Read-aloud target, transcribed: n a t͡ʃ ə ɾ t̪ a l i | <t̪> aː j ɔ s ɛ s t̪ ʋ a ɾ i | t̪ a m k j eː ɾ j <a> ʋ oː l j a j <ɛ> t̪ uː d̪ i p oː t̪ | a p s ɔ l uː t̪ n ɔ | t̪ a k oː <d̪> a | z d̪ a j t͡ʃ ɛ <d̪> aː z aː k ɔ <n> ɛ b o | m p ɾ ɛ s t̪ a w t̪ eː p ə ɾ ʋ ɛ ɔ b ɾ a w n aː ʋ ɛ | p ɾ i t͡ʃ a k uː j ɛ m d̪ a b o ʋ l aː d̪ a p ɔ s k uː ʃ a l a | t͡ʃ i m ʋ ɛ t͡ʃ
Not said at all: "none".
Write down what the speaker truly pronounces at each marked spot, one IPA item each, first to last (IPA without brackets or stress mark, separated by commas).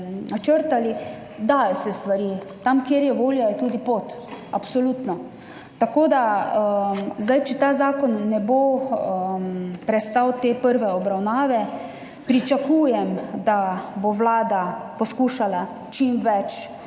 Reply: d̪, ɛ, ɛ, d̪, t̪, nː